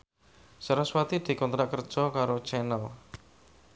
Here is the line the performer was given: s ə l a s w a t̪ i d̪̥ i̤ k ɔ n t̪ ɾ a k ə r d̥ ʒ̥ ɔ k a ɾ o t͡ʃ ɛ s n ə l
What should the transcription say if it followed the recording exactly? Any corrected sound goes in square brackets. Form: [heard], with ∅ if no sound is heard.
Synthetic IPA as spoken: s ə [ɾ] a s w a t̪ i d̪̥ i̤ k ɔ n t̪ ɾ a k ə r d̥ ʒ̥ ɔ k a ɾ o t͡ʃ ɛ [∅] n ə l